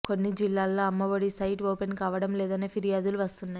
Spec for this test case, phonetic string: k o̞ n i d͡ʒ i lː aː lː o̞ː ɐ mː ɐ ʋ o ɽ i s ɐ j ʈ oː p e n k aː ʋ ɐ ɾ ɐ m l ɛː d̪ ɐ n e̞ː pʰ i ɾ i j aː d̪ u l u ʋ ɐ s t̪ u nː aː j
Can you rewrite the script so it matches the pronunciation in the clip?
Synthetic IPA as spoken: k o̞ nː i d͡ʒ i lː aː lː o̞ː ɐ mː ɐ ʋ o ɽ i s ɐ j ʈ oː p e n k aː ʋ ɐ ɽ ɐ m l ɛː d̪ ɐ n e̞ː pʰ i ɾ i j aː d̪ u l u ʋ ɐ s t̪ u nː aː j